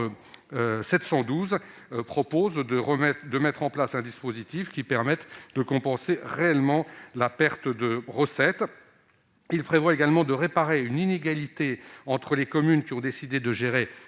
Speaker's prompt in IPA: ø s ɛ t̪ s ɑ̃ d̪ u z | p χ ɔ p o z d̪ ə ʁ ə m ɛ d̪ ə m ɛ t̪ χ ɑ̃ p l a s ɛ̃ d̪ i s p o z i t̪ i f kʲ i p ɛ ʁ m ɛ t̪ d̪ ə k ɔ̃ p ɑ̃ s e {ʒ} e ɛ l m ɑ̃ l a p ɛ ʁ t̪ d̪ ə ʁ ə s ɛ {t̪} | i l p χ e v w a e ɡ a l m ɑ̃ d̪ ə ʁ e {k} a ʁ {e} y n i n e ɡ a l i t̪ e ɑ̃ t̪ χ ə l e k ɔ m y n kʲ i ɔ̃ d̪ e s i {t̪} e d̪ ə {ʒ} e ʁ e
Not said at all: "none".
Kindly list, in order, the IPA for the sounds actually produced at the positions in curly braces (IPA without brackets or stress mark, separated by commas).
ʁ, t̪, p, e, d̪, ʒ